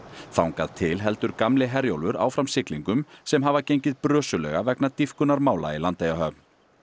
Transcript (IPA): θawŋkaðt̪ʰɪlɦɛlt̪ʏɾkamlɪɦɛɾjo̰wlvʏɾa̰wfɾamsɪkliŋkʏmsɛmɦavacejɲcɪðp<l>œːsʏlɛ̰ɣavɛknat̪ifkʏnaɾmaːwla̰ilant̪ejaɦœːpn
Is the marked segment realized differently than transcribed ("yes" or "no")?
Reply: yes